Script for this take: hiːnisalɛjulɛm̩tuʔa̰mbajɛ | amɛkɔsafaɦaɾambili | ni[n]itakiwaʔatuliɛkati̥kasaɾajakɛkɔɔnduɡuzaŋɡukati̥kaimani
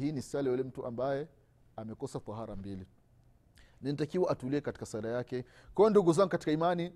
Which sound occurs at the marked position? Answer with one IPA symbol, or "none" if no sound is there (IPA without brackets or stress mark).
n